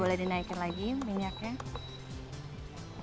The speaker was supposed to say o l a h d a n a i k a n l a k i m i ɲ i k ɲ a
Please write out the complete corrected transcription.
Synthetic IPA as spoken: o l ɛ h d i n a i k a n l a ɡ i m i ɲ a k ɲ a

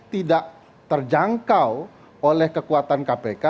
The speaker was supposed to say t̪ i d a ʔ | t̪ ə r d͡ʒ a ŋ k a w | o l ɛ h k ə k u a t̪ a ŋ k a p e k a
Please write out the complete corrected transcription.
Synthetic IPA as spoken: t̪ i d a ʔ | t̪ ə r d͡ʒ a ŋ k a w | o l ɛ h k ə k u a t̪ a n k a p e k a

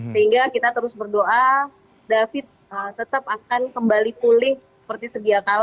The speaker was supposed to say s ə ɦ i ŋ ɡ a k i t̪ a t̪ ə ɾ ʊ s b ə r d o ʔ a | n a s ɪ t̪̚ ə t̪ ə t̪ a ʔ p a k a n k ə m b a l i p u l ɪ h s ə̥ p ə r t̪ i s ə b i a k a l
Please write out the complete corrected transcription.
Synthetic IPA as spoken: s ə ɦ i ŋ ɡ a k i t̪ a t̪ ə ɾ ʊ s b ə r d o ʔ a | d a f ɪ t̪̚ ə t̪ ə t̪ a p a k a n k ə m b a l i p u l ɪ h s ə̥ p ə r t̪ i s ə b i a k a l

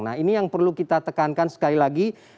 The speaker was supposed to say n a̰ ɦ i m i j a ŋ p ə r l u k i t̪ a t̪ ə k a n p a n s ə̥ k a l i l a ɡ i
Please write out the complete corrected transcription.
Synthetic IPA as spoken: n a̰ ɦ i n i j a ŋ p ə r l u k i t̪ a t̪ ə k a n k a n s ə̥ k a l i l a ɡ i

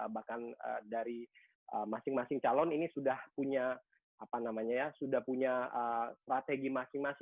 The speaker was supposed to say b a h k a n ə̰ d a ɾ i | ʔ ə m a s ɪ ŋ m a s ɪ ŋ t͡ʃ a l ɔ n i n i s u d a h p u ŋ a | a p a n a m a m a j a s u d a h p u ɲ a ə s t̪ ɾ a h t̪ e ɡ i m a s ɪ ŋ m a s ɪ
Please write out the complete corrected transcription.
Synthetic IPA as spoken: b a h k a n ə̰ d a ɾ i | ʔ ə m a s ɪ ŋ m a s ɪ ŋ t͡ʃ a l ɔ n i n i s u d a h p u ɲ a | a p a n a m a ɲ a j a s u d a h p u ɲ a ə s t̪ ɾ a t̪ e ɡ i m a s ɪ ŋ m a s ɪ

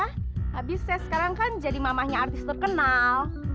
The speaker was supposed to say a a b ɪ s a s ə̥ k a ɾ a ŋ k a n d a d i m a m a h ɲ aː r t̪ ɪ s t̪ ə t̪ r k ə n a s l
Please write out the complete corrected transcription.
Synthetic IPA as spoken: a a b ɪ s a s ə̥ k a ɾ a ŋ k a n d͡ʒ a d i m a m a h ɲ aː r t̪ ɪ s t̪ ə r k ə n a l

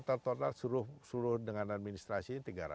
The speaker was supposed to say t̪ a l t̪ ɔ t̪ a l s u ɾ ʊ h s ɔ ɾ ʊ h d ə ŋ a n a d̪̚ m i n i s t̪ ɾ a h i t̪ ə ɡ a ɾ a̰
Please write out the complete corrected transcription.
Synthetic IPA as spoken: t̪ a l t̪ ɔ t̪ a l s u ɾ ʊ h s u ɾ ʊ h d ə ŋ a n a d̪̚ m i n i s t̪ ɾ a s i t̪ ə ɡ a ɾ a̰

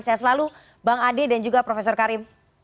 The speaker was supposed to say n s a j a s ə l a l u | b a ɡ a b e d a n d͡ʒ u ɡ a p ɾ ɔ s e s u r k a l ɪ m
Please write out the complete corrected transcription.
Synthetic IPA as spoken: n s a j a s ə l a l u | b a ŋ a d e d a n d͡ʒ u ɡ a p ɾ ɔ f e s ɔ r k a ɾ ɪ m

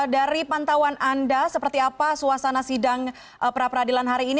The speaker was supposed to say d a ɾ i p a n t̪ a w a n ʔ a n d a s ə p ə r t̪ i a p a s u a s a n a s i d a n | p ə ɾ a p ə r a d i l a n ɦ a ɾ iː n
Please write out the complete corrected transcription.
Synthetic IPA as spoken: d a ɾ i p a n t̪ a w a n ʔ a n d a s ə p ə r t̪ i a p a s u a s a n a s i d a ŋ | p ə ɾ a p ə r a d i l a n ɦ a ɾ iː n

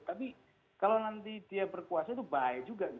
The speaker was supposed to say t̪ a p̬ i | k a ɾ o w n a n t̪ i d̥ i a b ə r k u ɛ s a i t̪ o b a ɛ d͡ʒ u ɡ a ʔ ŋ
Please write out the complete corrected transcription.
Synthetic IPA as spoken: t̪ a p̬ i | k a l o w n a n t̪ i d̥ i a b ə r k u a s a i t̪ u b a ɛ d͡ʒ u ɡ a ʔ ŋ

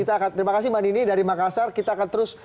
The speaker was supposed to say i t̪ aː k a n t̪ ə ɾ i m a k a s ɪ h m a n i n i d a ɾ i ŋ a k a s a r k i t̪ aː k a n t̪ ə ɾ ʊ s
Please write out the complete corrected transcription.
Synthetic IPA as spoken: i t̪ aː k a n t̪ ə ɾ i m a k a s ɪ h m a n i n i d a ɾ i m a k a s a r k i t̪ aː k a n t̪ ə ɾ ʊ s

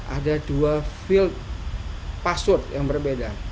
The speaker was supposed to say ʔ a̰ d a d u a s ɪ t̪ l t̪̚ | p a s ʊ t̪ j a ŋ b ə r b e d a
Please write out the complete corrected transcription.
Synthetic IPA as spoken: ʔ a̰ d a d u a f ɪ l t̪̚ | p a s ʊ t̪ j a ŋ b ə r b e d a

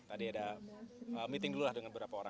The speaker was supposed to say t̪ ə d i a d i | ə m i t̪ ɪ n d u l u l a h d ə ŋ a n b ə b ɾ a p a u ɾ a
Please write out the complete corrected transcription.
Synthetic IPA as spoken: t̪ a d i a d a | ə m i t̪ ɪ ŋ d u l u l a h d ə ŋ a n b ə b ɾ a p a o ɾ a

